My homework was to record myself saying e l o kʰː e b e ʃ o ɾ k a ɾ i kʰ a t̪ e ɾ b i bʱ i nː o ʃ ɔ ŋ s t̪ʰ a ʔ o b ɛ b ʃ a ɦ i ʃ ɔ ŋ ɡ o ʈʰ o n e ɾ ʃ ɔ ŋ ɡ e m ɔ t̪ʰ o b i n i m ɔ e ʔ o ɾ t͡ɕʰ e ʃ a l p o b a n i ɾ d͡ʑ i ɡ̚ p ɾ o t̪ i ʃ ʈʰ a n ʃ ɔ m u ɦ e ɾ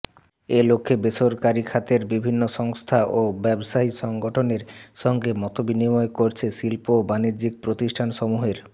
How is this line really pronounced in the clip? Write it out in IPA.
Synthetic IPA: e l o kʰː e b e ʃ o ɾ k a ɾ i kʰ a t̪ e ɾ b i bʱ i nː o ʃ ɔ ŋ s t̪ʰ a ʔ o b ɛ b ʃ a ɦ i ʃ ɔ ŋ ɡ o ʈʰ o n e ɾ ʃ ɔ ŋ ɡ e m ɔ t̪ o b i n i m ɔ e k o ɾ t͡ɕʰ e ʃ i l p o b a n i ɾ d͡ʑ i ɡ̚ p ɾ o t̪ i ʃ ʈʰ a n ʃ ɔ m u ɦ e ɾ

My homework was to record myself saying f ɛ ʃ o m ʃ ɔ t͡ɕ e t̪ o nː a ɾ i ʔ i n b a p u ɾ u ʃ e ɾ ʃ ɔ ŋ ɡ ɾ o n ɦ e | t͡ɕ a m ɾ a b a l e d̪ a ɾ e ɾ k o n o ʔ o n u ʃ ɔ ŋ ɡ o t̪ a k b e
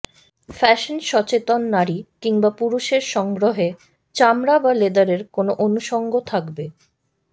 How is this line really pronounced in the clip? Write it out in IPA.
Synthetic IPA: f ɛ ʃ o n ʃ ɔ t͡ɕ e t̪ o nː a ɾ i k i ŋ b a p u ɾ u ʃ e ɾ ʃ ɔ ŋ ɡ ɾ o ɦ e | t͡ɕ a m ɾ a b a l e d̪ a ɾ e ɾ k o n o ʔ o n u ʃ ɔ ŋ ɡ o t̪ʰ a k b e

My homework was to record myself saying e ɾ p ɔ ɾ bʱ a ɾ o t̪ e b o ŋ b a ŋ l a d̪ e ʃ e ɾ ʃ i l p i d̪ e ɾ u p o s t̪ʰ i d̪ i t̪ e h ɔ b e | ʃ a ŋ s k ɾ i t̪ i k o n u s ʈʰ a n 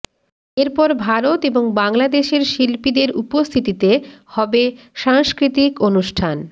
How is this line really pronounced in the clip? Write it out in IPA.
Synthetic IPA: e ɾ p ɔ ɾ bʱ a ɾ o t̪ e b o ŋ b a ŋ l a d̪ e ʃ e ɾ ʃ i l p i d̪ e ɾ u p o s t̪ʰ i t̪ i t̪ e h ɔ b e | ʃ a ŋ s k ɾ i t̪ i k o n u ʃ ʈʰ a n

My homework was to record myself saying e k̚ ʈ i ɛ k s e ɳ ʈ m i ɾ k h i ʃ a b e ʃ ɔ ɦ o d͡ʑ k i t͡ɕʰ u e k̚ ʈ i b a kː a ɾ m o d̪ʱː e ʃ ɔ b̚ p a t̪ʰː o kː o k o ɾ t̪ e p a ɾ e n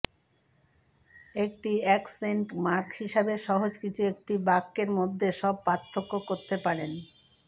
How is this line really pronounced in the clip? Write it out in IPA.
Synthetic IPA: e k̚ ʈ i ɛ k s e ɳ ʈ m a ɾ k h i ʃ a b e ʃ ɔ ɦ o d͡ʑ k i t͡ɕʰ u e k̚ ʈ i b a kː e ɾ m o d̪ʱː e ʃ ɔ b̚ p a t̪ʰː o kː o k o ɾ t̪ e p a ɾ e n

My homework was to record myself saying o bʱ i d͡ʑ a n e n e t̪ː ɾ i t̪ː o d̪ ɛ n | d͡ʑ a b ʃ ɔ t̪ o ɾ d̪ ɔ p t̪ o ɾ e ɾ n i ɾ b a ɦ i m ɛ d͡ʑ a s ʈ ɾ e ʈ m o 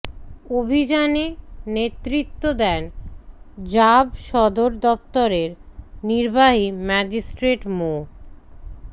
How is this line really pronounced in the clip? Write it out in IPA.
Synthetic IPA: o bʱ i d͡ʑ a n e n e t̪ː ɾ i t̪ː o d̪ ɛ n | d͡ʑ a b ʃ ɔ d̪ o ɾ d̪ ɔ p t̪ o ɾ e ɾ n i ɾ b a ɦ i m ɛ d͡ʑ i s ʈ ɾ e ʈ m o

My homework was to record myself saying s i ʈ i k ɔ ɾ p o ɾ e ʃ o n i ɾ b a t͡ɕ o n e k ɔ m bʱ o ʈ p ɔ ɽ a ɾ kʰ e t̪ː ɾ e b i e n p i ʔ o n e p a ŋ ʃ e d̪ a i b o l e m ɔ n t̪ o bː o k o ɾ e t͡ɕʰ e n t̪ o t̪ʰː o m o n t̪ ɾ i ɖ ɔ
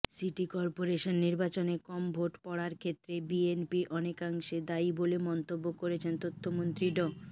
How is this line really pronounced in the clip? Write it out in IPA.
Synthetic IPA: s i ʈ i k ɔ ɾ p o ɾ e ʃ o nː i ɾ b a t͡ɕ o n e k ɔ m bʱ o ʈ p ɔ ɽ a ɾ kʰ e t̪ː ɾ e b i e n p i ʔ ɔ n e k a ŋ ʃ e d̪ a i b o l e m ɔ n t̪ o bː o k o ɾ e t͡ɕʰ e n t̪ o t̪ʰː o m o n t̪ ɾ i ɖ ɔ

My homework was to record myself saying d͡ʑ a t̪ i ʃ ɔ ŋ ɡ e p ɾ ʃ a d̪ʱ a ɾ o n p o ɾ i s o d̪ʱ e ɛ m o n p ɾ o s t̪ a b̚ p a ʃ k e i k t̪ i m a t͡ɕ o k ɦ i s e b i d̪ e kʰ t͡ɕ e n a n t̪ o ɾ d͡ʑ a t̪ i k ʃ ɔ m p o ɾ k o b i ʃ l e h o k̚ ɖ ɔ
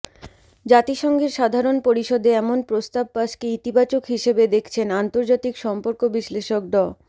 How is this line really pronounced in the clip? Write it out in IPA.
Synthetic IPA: d͡ʑ a t̪ i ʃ ɔ ŋ ɡ e ɾ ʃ a d̪ʱ a ɾ o n p o ɾ i ʃ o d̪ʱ e ɛ m o n p ɾ o s t̪ a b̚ p a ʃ k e i t̪ i b a t͡ɕ o k ɦ i ʃ e b e d̪ e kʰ t͡ɕʰ e n a n t̪ o ɾ d͡ʑ a t̪ i k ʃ ɔ m p o ɾ k o b i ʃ l e ʃ o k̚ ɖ ɔ

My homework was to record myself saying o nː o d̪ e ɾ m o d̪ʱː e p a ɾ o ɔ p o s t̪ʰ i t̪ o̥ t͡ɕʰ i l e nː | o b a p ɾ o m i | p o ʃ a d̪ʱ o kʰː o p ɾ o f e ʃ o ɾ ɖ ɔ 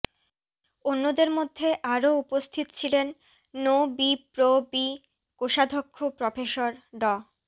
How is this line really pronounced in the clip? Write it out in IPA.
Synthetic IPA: o nː o d̪ e ɾ m o d̪ʱː e ʔ a ɾ o u p o s t̪ʰ i t̪ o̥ t͡ɕʰ i l e nː | o b i p ɾ o b i | k o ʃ a d̪ʱ o kʰː o p ɾ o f e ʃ o ɾ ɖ ɔ

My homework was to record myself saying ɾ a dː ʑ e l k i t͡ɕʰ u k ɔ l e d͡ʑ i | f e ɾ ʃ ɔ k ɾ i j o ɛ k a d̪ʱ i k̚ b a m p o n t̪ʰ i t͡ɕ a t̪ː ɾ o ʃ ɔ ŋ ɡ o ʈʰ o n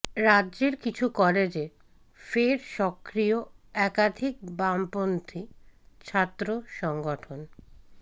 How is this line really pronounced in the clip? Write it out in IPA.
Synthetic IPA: ɾ a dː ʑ e ɾ k i t͡ɕʰ u k ɔ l e d͡ʑ e | f e ɾ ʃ ɔ k ɾ i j o ɛ k a d̪ʱ i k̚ b a m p o n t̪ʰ i t͡ɕʰ a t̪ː ɾ o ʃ ɔ ŋ ɡ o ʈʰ o n

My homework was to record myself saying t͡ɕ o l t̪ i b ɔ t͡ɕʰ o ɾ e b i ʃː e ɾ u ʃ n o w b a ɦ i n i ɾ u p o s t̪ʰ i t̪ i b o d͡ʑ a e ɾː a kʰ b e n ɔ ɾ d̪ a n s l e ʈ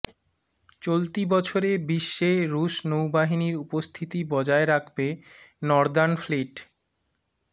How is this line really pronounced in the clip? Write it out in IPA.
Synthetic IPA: t͡ɕ o l t̪ i b ɔ t͡ɕʰ o ɾ e b i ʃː e ɾ u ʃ n o w b a ɦ i n i ɾ u p o s t̪ʰ i t̪ i b ɔ d͡ʑ a e ɾ a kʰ b e n ɔ ɾ d̪ a n f l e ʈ

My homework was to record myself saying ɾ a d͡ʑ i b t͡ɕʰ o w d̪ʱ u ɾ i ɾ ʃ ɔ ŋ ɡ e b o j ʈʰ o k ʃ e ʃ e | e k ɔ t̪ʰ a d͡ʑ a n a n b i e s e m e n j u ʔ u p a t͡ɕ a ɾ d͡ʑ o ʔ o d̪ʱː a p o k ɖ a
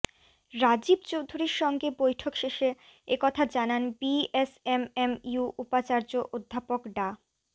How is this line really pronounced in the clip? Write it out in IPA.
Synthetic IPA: ɾ a d͡ʑ i b t͡ɕ o w d̪ʱ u ɾ i ɾ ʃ ɔ ŋ ɡ e b o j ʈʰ o k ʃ e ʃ e | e k ɔ t̪ʰ a d͡ʑ a n a n b i e s e m e m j u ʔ u p a t͡ɕ a ɾ d͡ʑ o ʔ o d̪ʱː a p o k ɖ a

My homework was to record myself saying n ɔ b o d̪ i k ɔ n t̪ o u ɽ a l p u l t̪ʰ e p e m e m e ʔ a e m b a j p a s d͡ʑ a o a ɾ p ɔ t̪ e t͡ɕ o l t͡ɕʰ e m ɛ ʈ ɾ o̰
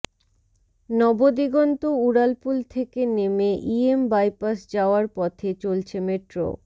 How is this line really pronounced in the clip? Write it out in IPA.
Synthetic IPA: n ɔ b o d̪ i ɡ ɔ n t̪ o u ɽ a l p u l t̪ʰ e k e n e m e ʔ i e m b a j p a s d͡ʑ a o a ɾ p ɔ t̪ʰ e t͡ɕ o l t͡ɕʰ e m e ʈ ɾ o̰

